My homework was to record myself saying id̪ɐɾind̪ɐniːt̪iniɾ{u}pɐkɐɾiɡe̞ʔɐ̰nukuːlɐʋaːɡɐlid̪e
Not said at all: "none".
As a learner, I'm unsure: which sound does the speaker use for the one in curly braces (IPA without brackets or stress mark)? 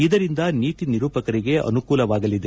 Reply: uː